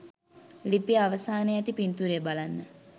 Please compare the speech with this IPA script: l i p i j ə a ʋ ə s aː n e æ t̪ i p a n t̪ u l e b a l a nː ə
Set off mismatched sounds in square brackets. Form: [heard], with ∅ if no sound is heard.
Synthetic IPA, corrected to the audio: l i p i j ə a ʋ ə s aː n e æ t̪ i p [i] n t̪ u [ɾ] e b a l a nː ə